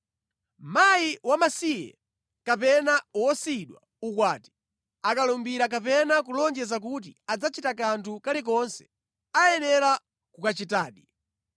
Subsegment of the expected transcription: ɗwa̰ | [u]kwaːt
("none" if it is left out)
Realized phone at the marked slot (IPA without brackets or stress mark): u